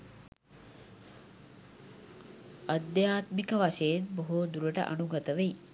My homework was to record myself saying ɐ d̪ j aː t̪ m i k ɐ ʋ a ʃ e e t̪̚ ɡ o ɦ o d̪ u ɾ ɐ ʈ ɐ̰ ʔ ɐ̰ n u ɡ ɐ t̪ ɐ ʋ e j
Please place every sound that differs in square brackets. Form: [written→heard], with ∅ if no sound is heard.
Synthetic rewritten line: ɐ d̪ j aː t̪ m i k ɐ ʋ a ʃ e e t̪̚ [ɡ→b] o ɦ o d̪ u ɾ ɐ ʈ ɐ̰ ʔ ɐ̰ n u ɡ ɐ t̪ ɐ ʋ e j